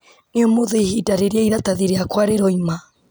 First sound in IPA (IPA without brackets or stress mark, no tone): n